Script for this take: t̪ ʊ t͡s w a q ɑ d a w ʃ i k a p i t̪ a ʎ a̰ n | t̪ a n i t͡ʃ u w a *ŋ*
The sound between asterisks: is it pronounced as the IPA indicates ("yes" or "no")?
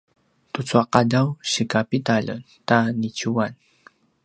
no